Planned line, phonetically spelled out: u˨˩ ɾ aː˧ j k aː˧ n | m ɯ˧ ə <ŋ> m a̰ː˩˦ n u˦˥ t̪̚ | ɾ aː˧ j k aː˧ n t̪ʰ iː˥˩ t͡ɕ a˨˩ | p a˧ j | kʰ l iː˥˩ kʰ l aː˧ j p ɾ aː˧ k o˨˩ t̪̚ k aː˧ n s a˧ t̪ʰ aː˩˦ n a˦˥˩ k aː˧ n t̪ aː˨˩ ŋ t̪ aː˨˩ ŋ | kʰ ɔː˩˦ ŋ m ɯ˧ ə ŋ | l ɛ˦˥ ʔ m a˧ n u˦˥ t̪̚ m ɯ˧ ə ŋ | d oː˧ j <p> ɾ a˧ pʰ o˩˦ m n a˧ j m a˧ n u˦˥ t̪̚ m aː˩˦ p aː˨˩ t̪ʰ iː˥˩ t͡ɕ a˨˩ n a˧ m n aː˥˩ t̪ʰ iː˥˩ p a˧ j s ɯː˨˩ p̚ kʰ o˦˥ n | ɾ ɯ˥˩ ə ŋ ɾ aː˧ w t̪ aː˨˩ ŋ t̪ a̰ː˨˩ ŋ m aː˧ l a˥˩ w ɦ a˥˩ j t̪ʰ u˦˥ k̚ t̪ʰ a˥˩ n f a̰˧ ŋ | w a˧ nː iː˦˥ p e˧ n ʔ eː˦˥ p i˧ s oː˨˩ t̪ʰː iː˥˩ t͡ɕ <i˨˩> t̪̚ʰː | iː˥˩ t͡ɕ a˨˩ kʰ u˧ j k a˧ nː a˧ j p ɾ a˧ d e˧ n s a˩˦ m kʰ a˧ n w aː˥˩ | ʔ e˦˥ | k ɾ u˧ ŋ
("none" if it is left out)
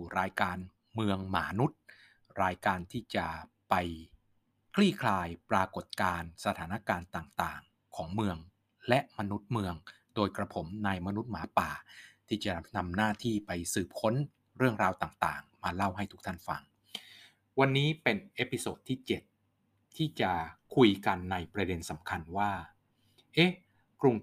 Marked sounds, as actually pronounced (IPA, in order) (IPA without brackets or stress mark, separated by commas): ŋ, k, e˨˩